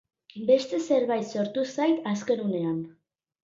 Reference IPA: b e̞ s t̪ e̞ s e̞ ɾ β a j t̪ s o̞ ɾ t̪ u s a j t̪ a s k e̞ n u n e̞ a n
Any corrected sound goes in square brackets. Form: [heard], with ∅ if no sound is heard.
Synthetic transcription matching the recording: b e̞ s t̪ e̞ s e̞ ɾ β a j t̪ s o̞ ɾ t̪ u s a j t̪ a s k e̞ n u n e̞ a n